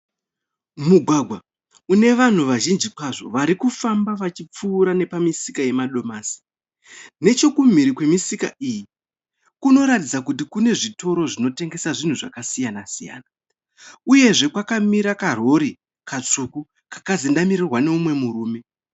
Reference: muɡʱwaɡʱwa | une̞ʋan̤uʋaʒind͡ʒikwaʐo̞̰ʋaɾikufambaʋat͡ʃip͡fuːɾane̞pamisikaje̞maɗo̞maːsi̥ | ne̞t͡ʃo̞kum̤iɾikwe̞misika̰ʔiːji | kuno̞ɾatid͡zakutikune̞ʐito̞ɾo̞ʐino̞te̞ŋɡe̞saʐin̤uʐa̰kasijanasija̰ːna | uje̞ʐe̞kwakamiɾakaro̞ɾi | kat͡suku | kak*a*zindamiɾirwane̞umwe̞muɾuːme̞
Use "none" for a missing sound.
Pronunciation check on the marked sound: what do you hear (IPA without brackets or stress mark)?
a